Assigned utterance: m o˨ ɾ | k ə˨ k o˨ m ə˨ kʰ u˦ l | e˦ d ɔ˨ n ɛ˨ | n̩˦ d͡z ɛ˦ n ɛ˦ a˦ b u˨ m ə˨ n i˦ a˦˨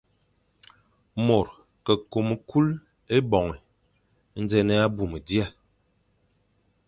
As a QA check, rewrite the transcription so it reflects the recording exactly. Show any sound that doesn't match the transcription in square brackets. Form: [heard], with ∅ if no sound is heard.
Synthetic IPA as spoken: m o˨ ɾ | k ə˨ k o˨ m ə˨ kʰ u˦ l | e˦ [b] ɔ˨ [ŋ] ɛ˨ | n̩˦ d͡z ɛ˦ n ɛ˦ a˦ b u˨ m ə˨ [d] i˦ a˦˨